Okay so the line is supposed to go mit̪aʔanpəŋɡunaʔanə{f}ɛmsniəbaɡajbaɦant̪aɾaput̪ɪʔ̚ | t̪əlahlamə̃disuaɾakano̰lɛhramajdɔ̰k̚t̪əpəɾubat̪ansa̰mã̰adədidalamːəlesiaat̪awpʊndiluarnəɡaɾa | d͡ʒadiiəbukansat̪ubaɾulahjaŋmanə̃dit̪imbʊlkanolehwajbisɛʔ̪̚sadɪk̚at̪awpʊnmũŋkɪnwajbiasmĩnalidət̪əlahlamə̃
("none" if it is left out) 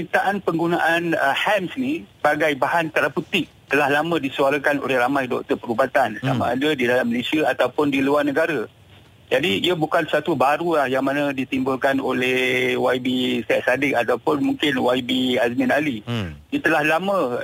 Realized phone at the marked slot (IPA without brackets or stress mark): h